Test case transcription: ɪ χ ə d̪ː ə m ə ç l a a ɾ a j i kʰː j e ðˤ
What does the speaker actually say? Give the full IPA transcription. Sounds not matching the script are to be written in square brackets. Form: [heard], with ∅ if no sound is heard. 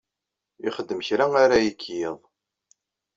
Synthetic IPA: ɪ χ ə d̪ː ə m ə ç [ɾ] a a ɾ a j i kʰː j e ðˤ